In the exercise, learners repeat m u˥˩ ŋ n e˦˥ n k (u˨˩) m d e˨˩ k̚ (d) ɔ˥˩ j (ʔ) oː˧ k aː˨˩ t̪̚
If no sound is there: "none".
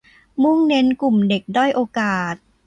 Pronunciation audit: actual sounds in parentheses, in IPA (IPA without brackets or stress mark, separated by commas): u˨˩, d, ʔ